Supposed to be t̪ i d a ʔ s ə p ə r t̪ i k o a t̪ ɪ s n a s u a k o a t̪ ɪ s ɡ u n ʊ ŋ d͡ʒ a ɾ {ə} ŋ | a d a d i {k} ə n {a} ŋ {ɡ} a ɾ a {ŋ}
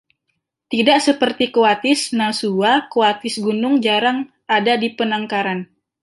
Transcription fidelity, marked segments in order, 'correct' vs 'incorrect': incorrect, incorrect, correct, incorrect, incorrect

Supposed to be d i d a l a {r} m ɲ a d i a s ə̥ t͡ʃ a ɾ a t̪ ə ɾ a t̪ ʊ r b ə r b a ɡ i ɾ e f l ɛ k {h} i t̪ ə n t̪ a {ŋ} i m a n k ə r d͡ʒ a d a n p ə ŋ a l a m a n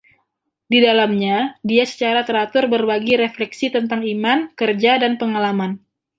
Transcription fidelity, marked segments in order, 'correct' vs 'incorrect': incorrect, incorrect, correct

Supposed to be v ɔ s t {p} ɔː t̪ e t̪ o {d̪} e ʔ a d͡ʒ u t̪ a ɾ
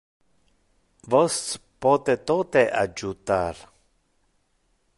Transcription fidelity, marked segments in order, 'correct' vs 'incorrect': correct, incorrect

